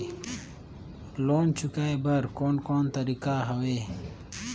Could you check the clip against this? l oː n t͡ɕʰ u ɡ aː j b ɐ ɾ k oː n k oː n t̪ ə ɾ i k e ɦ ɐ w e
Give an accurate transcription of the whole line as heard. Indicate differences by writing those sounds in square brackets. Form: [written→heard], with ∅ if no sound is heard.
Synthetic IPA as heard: l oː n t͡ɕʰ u [ɡ→k] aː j b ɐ ɾ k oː n k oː n t̪ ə ɾ i k [e→a] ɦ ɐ w e